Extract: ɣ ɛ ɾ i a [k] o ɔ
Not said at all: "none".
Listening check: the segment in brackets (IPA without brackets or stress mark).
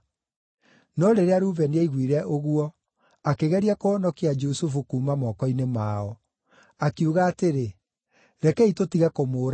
k